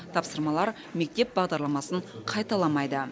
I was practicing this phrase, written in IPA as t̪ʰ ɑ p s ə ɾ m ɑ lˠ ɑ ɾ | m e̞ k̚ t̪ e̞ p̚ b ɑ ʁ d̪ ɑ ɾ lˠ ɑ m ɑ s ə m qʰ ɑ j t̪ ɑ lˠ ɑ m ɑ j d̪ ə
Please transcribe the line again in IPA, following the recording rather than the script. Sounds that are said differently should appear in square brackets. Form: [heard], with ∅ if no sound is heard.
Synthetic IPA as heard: t̪ʰ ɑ p s ə ɾ m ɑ lˠ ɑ ɾ | m e̞ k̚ t̪ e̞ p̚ b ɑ ʁ d̪ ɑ ɾ lˠ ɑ m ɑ s ə [ɴ] qʰ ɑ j t̪ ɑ lˠ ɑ m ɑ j d̪ ə